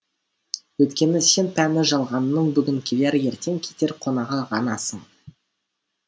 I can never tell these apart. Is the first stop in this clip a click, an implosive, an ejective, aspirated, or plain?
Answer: plain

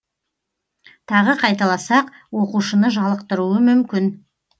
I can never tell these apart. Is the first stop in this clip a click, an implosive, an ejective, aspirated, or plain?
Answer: aspirated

